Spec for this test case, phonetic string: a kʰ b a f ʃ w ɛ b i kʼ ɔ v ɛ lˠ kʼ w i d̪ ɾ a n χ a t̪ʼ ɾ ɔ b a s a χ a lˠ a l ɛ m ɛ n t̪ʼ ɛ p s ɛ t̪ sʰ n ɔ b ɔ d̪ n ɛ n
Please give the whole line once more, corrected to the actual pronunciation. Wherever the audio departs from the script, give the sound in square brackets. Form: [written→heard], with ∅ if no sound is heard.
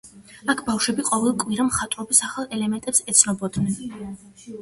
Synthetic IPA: a kʰ b a f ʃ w ɛ b i [kʼ→qʼ] ɔ v ɛ lˠ kʼ w i [d̪→∅] ɾ a [n→m] χ a t̪ʼ ɾ ɔ b [a→i] s a χ a lˠ [a→ɛ] l ɛ m ɛ n t̪ʼ ɛ p s ɛ t̪ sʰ n ɔ b ɔ d̪ n ɛ n